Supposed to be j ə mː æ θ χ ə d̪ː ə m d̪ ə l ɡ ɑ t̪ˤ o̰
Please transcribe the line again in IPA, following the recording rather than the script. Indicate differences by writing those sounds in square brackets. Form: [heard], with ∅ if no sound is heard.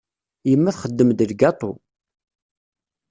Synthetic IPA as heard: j ə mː æ θ χ ə d̪ː ə m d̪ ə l ɡ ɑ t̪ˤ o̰